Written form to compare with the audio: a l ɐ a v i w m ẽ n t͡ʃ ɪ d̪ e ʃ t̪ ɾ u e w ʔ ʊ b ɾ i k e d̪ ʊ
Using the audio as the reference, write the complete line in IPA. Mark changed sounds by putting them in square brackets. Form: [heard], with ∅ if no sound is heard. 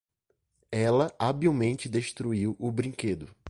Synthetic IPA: [ɛ] l ɐ a [b] i w m ẽ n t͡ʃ ɪ d̪ e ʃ t̪ ɾ u [i] w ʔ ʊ b ɾ [ĩ] k e d̪ ʊ